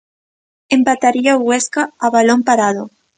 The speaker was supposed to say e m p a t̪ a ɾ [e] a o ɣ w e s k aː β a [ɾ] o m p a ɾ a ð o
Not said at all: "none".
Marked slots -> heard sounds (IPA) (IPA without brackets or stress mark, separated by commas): i, l